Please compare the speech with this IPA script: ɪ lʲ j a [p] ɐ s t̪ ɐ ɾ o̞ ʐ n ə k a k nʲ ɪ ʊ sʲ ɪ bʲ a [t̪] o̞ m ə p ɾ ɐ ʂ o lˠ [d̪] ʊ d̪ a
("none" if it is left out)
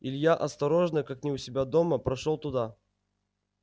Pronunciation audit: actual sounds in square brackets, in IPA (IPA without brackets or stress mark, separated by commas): ʔ, d̪, t̪